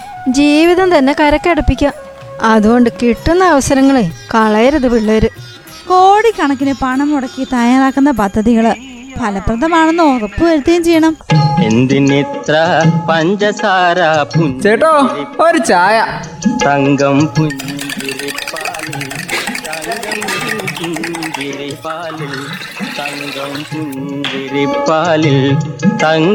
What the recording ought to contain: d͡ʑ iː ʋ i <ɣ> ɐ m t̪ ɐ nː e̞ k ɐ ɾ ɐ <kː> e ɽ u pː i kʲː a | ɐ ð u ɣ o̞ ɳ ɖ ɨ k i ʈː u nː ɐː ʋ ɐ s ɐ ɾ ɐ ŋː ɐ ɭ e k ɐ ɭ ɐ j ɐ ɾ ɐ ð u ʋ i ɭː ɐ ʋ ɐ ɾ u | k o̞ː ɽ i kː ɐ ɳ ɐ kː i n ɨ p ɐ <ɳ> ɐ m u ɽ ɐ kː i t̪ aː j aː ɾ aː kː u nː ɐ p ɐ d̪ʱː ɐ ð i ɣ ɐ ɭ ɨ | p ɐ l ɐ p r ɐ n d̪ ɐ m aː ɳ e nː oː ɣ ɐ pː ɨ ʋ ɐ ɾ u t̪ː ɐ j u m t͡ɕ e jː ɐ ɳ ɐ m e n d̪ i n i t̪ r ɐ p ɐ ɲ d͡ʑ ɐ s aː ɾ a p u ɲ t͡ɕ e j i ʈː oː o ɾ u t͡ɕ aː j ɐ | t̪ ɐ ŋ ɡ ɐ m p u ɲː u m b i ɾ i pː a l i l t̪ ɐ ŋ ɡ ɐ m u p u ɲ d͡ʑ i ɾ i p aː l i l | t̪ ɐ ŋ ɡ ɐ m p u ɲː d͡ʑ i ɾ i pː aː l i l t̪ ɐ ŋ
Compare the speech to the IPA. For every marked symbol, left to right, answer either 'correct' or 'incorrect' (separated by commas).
incorrect, correct, correct